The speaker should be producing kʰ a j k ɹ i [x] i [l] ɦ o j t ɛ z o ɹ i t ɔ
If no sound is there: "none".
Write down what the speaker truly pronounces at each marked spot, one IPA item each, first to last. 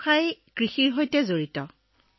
x, ɹ

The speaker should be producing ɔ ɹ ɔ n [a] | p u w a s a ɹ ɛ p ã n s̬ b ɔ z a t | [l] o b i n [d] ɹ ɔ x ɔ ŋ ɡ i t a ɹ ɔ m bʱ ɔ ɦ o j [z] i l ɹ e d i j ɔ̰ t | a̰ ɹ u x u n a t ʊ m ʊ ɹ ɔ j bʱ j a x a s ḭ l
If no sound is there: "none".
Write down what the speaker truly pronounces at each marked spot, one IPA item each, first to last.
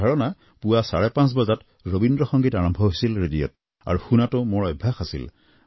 a, ɹ, d, s

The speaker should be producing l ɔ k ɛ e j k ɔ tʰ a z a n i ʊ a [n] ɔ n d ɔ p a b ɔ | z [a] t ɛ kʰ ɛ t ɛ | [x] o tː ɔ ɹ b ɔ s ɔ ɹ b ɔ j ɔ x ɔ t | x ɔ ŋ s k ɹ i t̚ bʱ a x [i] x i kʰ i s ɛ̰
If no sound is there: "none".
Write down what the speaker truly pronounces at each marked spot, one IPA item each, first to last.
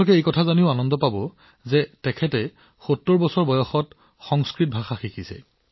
n, ɛ, x, a

